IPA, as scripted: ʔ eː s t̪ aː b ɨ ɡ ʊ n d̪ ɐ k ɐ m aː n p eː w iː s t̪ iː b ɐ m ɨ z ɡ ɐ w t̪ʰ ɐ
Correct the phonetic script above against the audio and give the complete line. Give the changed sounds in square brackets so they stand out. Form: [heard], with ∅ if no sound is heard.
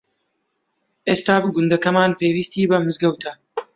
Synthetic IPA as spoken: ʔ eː s t̪ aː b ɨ ɡ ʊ n d̪ ɐ k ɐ m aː n p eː w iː s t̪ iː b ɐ m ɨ z ɡ ɐ w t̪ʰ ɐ